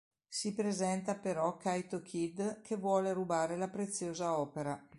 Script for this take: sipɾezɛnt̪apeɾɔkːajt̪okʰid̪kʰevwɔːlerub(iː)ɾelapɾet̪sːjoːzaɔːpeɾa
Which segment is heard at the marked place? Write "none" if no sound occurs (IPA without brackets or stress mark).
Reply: aː